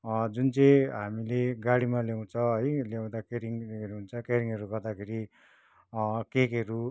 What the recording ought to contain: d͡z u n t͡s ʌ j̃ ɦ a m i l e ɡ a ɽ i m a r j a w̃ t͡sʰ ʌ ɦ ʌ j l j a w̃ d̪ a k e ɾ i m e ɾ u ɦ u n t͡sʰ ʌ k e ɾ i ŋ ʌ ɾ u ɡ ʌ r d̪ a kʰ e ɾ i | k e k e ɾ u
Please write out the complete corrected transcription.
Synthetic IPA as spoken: d͡z u n t͡s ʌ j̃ ɦ a m i l e ɡ a ɽ i m a l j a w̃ t͡sʰ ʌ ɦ ʌ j l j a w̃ d̪ a k e ɾ i ŋ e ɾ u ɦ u n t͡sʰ ʌ k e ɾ i ŋ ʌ ɾ u ɡ ʌ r d̪ a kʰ e ɾ i | k e k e ɾ u